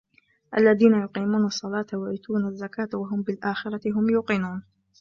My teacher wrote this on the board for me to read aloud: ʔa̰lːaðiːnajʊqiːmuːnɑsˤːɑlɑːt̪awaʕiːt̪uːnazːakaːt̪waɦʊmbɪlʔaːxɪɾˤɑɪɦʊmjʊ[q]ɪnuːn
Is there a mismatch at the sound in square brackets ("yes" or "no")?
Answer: no